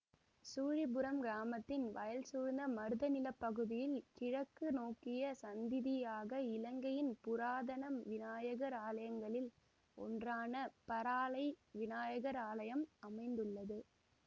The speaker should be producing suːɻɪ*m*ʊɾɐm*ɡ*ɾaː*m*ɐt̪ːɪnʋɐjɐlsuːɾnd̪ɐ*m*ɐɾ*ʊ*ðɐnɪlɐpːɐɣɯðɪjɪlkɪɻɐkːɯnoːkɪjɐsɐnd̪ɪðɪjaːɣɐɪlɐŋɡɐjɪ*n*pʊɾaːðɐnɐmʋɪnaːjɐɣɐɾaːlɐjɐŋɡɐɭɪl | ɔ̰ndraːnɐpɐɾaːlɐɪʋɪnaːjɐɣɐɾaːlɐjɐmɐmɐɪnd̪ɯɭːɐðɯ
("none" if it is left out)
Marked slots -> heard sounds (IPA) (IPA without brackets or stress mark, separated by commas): b, ɡ, m, m, ɯ, n